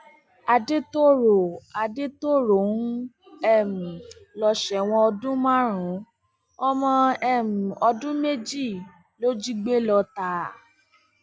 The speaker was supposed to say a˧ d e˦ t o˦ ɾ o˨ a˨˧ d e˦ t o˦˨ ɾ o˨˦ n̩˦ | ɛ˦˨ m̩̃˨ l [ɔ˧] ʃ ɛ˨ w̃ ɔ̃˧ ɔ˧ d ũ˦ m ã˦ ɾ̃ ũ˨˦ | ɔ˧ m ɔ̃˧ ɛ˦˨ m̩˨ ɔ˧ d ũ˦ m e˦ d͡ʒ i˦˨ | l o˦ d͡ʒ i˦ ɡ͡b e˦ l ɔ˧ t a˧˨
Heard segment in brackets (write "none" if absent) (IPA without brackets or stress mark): ɔ˧